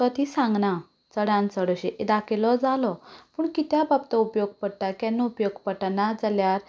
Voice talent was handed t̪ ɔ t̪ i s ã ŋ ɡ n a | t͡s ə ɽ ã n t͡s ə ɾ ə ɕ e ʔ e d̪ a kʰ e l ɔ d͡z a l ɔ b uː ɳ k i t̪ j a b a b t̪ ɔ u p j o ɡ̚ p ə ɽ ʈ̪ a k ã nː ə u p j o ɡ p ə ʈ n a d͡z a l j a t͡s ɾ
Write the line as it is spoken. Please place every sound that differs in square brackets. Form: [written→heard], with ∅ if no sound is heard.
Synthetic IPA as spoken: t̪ ɔ t̪ i s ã ŋ ɡ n a | t͡s ə ɽ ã n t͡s ə [ɾ→ɽ] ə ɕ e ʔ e d̪ a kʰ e l ɔ d͡z a l ɔ [b→p] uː ɳ k i t̪ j a b a b t̪ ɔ u p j o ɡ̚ p ə ɽ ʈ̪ a k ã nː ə u p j o ɡ p ə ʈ n a d͡z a l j a [t͡s→∅] ɾ